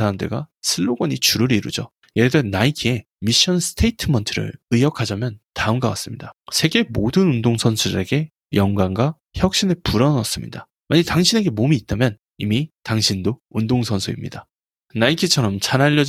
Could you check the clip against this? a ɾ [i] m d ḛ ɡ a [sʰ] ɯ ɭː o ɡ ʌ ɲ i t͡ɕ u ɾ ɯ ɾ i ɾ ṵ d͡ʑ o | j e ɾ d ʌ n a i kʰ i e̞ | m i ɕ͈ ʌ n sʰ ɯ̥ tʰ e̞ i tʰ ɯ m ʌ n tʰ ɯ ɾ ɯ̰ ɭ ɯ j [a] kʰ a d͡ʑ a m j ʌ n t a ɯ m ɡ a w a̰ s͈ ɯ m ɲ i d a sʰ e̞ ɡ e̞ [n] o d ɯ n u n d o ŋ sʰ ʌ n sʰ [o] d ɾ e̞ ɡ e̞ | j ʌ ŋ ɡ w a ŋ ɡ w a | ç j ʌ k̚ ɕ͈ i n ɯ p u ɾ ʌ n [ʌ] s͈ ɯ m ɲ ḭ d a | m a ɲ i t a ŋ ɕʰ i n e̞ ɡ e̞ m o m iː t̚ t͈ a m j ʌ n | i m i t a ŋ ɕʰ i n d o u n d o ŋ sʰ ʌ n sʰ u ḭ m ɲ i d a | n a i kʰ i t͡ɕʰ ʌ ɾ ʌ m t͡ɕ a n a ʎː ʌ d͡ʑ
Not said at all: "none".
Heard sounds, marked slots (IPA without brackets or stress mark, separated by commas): a, sʰ, ʌ, m, u, ʌ